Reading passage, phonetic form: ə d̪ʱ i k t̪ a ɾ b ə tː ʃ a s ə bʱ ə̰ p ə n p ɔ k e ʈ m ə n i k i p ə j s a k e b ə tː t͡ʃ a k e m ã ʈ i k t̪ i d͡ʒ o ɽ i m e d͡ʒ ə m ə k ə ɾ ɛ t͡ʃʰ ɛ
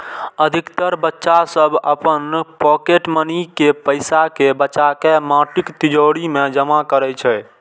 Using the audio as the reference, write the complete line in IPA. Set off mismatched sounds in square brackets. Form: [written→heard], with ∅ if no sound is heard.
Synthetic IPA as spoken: ə d̪ʱ i k t̪ [a→ə] ɾ b ə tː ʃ a s ə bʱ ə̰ p ə n p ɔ k e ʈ m ə n i k [i→e] p ə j s a k e b ə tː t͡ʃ a k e m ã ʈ i k t̪ i d͡ʒ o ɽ i m e d͡ʒ ə m [ə→a] k ə ɾ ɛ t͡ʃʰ ɛ